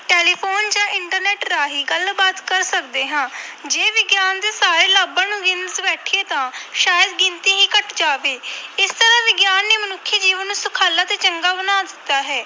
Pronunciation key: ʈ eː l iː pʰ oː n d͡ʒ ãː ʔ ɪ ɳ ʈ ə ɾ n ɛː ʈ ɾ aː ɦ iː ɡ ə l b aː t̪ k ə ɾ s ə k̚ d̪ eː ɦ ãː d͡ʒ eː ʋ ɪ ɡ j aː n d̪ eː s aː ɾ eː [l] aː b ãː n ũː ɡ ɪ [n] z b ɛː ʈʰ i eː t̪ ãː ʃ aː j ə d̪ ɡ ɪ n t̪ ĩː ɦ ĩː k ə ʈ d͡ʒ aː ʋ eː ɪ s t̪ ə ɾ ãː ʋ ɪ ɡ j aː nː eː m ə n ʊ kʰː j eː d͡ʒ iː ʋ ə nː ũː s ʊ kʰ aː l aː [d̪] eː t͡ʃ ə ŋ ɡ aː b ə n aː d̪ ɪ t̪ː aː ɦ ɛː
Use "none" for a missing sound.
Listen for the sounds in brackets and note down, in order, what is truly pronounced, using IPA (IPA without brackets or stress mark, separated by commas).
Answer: l, n, t̪